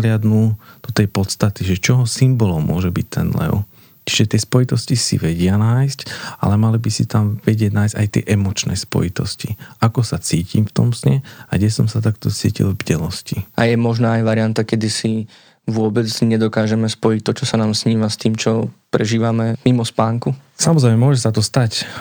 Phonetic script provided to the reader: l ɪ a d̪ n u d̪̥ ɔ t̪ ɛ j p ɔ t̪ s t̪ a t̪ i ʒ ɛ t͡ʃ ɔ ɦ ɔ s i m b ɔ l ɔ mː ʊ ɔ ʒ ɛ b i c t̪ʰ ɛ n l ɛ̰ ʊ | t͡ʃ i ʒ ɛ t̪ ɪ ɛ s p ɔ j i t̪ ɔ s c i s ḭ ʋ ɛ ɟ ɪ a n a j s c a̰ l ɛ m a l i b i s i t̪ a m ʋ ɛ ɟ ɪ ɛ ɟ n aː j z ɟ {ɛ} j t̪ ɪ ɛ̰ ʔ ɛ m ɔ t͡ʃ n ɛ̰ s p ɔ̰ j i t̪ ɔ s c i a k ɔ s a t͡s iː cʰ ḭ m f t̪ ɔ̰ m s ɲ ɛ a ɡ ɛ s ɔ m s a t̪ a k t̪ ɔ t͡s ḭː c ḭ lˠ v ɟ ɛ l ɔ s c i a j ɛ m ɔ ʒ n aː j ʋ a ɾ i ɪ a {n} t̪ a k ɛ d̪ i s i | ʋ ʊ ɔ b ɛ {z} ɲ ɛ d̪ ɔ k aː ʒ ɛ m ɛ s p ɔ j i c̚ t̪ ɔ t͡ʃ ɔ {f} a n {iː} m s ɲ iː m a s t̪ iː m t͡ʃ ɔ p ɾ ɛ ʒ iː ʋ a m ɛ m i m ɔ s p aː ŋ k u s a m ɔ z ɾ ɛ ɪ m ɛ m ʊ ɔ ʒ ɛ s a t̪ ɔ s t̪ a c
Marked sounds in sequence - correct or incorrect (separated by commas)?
incorrect, correct, incorrect, incorrect, incorrect